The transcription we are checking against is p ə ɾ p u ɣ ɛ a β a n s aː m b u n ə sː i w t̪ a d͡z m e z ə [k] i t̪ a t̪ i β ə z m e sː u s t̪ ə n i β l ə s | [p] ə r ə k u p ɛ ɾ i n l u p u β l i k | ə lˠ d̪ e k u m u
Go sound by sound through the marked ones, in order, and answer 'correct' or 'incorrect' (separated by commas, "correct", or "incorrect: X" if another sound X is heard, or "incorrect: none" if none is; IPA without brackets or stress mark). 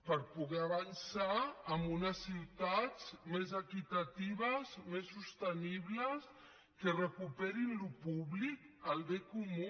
correct, incorrect: k